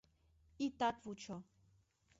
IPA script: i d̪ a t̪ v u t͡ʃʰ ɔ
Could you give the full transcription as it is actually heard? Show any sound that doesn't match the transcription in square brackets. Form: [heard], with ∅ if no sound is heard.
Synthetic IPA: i [t̪] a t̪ v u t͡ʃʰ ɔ